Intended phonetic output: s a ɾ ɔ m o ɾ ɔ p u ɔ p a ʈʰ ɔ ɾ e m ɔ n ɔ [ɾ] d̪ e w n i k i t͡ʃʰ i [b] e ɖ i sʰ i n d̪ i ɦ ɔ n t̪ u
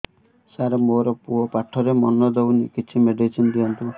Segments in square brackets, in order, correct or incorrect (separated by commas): incorrect, incorrect